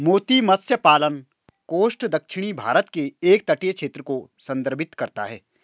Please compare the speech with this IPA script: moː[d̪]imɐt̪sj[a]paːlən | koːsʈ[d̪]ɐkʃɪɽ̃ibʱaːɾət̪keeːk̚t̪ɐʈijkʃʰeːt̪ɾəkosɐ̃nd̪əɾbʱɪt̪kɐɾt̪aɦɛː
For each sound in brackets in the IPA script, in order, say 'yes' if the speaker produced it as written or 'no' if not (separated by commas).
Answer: no, no, yes